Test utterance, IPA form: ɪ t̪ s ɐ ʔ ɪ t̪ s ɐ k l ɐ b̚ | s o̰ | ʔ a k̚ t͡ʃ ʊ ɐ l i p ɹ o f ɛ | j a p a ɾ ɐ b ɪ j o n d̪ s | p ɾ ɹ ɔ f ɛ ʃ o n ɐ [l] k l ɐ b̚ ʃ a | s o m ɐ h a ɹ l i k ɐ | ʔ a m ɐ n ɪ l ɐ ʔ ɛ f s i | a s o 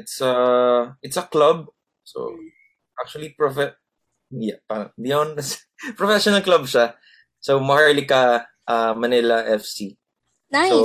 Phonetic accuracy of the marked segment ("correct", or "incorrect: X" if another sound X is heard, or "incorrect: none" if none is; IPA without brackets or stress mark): correct